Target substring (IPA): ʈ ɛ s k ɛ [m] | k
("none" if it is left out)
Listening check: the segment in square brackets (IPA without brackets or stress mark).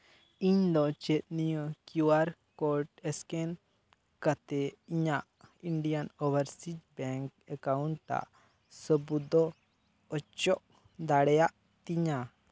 n